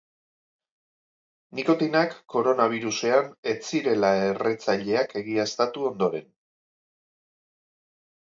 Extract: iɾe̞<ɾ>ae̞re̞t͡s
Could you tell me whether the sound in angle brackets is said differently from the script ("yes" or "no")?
yes